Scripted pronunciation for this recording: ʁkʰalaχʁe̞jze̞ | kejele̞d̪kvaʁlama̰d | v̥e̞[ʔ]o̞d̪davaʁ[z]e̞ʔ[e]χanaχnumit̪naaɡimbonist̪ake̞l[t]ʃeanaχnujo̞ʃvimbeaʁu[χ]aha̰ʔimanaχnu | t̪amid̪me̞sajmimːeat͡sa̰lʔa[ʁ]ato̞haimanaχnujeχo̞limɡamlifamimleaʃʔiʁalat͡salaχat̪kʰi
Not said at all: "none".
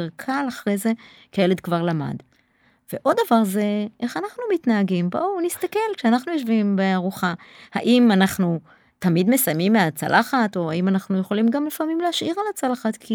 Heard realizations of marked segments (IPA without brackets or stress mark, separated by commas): ʔ, z, e, k, χ, χ